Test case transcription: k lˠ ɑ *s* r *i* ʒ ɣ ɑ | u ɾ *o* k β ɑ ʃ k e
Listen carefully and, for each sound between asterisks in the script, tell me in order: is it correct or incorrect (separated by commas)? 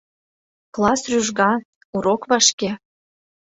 correct, incorrect, correct